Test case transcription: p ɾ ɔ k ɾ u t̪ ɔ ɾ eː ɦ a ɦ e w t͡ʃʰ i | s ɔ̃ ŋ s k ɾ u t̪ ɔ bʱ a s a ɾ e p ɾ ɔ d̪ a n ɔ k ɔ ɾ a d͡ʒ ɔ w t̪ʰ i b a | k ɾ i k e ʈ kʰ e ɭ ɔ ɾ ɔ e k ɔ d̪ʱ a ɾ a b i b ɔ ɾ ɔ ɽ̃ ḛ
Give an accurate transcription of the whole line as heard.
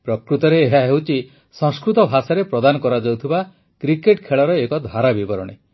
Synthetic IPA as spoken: p ɾ ɔ k ɾ u t̪ ɔ ɾ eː ɦ a ɦ e w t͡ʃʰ i | s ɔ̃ ŋ s k ɾ u t̪ ɔ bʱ a s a ɾ e p ɾ ɔ d̪ a n ɔ k ɔ ɾ a d͡ʒ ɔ w t̪ʰ i b a | k ɾ i k e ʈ kʰ e ɭ ɔ ɾ ɔ e k ɔ d̪ʱ a ɾ a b i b ɔ ɾ ɔ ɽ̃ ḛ